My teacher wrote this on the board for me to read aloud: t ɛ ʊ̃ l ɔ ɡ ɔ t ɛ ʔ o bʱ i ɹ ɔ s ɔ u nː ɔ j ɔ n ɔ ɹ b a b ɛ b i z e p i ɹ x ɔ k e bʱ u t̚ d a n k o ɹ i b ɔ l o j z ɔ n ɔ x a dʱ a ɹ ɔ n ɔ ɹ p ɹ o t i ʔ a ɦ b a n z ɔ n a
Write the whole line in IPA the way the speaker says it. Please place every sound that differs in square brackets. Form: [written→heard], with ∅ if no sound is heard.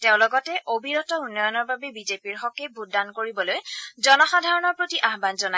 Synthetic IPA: t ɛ ʊ̃ l ɔ ɡ ɔ t ɛ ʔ o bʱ i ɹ ɔ [s→t] ɔ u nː ɔ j ɔ n ɔ ɹ b a b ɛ b i z e p i ɹ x ɔ k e bʱ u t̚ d a n k o ɹ i b ɔ l o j z ɔ n ɔ x a dʱ a ɹ ɔ n ɔ ɹ p ɹ o t i ʔ a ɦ b a n z ɔ n a